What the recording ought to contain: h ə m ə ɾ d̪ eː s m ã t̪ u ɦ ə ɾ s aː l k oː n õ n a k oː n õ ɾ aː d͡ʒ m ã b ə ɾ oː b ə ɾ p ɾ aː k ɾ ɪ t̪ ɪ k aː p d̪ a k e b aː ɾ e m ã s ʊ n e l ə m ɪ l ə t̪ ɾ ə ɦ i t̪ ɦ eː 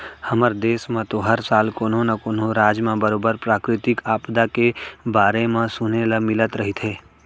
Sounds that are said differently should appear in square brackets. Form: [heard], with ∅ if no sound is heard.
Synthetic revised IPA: h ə m ə ɾ d̪ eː s m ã t̪ [o] ɦ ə ɾ s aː l k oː n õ n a k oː n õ ɾ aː d͡ʒ m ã b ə ɾ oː b ə ɾ p ɾ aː k ɾ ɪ t̪ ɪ k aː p d̪ a k e b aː ɾ e m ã s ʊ n e l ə m ɪ l ə t̪ ɾ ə ɦ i t̪ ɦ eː